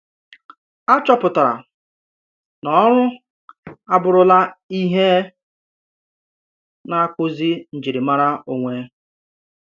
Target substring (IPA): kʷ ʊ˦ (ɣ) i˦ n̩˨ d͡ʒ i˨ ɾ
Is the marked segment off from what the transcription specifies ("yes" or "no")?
yes